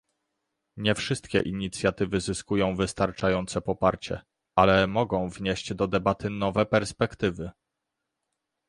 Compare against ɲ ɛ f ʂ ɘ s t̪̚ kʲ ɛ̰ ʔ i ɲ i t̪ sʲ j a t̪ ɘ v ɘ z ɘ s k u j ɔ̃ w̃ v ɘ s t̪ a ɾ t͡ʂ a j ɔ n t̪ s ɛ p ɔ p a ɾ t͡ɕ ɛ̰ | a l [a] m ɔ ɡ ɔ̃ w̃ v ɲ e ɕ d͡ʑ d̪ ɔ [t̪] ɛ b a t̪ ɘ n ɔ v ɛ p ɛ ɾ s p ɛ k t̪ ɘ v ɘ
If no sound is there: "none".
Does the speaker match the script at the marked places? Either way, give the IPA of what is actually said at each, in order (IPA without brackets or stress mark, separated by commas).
ɛ, d̪